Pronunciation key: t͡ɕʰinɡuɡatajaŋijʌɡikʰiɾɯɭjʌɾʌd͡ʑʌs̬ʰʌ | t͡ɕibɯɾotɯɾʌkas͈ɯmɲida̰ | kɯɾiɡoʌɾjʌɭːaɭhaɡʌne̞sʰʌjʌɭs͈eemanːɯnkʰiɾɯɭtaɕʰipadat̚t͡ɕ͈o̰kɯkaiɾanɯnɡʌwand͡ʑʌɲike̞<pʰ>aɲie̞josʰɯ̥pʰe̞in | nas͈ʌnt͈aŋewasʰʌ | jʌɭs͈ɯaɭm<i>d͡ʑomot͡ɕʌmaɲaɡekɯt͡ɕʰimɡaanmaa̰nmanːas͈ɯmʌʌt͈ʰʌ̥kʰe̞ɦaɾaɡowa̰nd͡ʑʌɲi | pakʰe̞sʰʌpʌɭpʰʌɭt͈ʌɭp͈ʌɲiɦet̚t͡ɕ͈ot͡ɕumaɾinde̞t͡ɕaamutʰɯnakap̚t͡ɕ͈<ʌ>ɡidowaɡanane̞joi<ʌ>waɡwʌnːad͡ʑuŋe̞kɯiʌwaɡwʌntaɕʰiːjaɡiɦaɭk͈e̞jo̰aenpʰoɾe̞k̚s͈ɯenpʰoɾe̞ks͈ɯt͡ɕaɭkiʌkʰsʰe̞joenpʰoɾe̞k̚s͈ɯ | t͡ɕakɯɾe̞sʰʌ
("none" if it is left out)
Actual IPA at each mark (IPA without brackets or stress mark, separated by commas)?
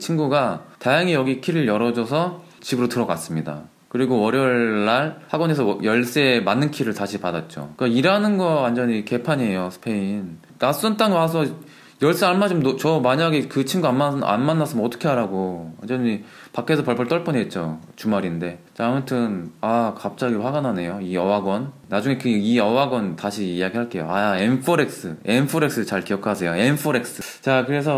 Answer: pʰ, a, a, ʌ